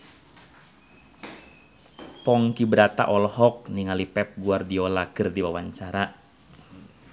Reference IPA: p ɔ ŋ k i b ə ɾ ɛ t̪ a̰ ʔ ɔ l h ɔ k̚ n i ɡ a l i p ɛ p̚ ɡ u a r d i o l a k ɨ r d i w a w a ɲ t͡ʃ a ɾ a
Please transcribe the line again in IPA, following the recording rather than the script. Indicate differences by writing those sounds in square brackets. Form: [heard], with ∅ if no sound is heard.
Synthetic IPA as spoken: p ɔ ŋ k i b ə ɾ [a] t̪ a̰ ʔ ɔ l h ɔ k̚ n i [ŋ] a l i p ɛ p̚ ɡ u a r d i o l a k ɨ r d i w a w a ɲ t͡ʃ a ɾ a